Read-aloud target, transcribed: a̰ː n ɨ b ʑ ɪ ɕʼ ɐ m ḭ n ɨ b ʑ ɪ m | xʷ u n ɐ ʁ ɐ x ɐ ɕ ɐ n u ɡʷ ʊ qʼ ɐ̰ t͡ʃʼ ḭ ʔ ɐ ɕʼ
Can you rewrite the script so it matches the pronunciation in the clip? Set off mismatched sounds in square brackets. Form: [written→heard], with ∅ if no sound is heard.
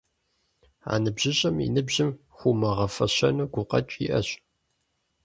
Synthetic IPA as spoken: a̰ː n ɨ b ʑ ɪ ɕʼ ɐ m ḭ n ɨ b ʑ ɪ m | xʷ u [n→m] ɐ ʁ ɐ [x→f] ɐ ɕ ɐ n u ɡʷ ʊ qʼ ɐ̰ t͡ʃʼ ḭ ʔ ɐ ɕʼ